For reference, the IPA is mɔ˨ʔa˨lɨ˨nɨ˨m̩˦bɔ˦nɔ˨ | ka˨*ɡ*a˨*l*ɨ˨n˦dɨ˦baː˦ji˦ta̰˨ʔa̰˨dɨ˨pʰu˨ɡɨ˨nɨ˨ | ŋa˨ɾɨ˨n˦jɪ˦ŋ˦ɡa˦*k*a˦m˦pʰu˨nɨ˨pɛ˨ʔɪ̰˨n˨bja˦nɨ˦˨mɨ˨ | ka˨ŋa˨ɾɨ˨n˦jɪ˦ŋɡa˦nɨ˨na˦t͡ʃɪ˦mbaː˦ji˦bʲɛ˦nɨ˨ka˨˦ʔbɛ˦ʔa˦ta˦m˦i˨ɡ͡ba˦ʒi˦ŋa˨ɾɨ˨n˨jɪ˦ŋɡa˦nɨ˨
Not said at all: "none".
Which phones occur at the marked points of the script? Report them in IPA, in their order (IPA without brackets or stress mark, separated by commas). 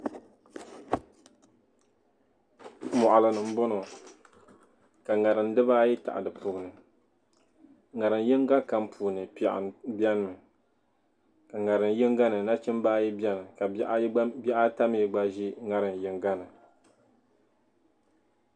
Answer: ŋ, ɾ, k